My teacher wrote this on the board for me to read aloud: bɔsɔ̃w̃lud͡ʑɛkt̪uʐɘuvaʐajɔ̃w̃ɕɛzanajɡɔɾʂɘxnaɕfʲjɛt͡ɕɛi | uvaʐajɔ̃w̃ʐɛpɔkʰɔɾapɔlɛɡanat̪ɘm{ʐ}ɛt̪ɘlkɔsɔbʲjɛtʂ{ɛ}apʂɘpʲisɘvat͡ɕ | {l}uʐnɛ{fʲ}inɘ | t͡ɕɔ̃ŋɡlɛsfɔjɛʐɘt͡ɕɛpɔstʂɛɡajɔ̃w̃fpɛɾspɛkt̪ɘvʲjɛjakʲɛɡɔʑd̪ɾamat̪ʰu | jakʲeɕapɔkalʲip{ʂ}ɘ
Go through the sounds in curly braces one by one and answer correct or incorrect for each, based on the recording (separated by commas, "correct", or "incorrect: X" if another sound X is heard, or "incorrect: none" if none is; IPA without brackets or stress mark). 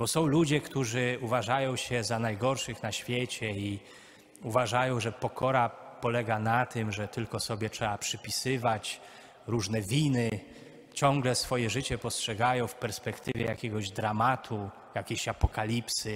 correct, correct, incorrect: ɾ, incorrect: vʲ, incorrect: s